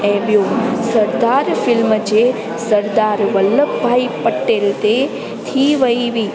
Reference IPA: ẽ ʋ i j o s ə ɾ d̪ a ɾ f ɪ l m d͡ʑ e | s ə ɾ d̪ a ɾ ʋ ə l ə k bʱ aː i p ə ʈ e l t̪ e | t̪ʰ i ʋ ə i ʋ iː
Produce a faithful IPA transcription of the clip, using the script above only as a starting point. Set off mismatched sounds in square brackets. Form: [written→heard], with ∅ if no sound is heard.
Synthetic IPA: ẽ ʋ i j o s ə ɾ d̪ a ɾ f ɪ l m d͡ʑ e | s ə ɾ d̪ a ɾ ʋ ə l ə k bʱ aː i p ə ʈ e l t̪ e | t̪ʰ i ʋ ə i ʋ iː